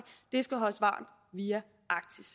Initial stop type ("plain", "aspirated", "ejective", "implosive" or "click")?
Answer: plain